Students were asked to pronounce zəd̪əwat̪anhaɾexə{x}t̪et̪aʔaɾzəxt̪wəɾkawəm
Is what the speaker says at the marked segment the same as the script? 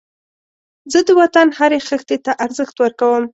yes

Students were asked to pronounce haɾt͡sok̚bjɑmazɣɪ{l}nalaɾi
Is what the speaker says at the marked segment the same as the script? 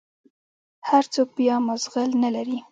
yes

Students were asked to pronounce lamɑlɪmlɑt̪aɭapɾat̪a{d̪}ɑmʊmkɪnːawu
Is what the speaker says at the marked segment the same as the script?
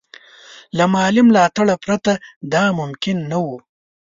yes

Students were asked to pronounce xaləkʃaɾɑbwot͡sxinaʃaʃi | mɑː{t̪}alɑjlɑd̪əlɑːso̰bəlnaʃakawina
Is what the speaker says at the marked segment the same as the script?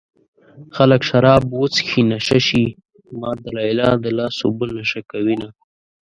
no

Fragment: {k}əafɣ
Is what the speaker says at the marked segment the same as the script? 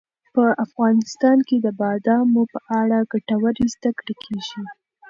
no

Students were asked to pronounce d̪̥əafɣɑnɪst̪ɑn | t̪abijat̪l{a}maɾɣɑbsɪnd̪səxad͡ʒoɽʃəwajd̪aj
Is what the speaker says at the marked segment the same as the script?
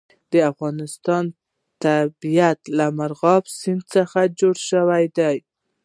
yes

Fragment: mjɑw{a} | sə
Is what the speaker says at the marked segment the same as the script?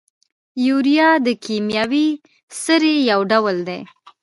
no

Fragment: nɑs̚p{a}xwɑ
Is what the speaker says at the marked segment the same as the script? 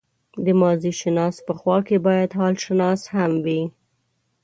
no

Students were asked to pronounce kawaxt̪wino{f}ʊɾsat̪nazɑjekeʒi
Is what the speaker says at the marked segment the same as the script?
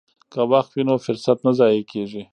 yes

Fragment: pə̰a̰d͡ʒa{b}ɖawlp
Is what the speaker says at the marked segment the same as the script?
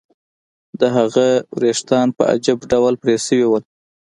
yes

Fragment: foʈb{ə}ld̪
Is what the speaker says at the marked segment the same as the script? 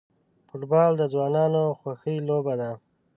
no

